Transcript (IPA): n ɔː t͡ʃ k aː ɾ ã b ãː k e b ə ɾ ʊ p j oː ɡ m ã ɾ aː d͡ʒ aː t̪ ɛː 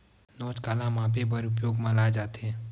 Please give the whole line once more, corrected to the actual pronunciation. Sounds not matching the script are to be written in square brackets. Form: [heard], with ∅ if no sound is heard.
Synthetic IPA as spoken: n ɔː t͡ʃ k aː [l] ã [m] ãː [p] e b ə ɾ ʊ p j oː ɡ m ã [l] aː d͡ʒ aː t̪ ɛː